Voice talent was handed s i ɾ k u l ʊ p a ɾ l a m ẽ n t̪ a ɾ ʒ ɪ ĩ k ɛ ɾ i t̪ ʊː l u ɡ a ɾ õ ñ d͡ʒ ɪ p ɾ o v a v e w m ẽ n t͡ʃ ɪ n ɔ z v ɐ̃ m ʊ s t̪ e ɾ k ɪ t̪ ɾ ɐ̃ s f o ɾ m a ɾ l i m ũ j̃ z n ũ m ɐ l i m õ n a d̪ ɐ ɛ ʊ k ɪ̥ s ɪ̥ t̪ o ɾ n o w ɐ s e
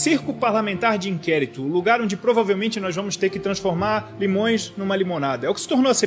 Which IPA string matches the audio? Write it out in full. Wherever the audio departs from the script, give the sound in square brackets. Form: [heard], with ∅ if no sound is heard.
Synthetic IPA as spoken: s i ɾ k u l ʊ p a ɾ l a m ẽ n t̪ a ɾ [d͡ʒ] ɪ ĩ k ɛ ɾ i t̪ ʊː l u ɡ a ɾ õ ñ d͡ʒ ɪ p ɾ o v a v e w m ẽ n t͡ʃ ɪ n ɔ z v ɐ̃ m ʊ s t̪ e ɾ k ɪ t̪ ɾ ɐ̃ s f o ɾ m a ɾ l i m [õ] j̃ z n ũ m ɐ l i m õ n a d̪ ɐ ɛ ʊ k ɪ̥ s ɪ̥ t̪ o ɾ n o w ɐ s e